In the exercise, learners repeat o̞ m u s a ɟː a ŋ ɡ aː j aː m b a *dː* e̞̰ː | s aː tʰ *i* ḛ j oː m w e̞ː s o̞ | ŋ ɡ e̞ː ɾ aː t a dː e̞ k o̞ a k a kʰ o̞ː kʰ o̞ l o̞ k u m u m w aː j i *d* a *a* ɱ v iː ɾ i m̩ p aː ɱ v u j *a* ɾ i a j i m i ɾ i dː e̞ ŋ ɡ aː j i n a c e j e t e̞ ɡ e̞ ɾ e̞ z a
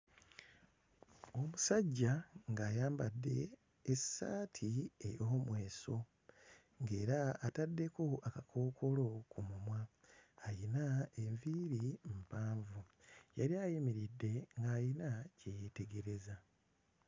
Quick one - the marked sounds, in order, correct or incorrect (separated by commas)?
correct, correct, incorrect, incorrect, correct